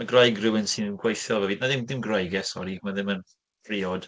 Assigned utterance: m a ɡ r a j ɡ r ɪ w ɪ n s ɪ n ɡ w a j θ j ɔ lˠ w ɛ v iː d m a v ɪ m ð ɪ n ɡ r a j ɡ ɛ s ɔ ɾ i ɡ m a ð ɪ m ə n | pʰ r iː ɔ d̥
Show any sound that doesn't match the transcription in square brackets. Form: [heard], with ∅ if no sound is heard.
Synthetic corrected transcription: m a ɡ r a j ɡ r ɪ w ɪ n s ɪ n ɡ w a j θ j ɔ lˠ [v] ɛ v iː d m a [ð] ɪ m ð ɪ [m] ɡ r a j ɡ ɛ s ɔ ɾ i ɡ m a ð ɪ m ə n | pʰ r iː ɔ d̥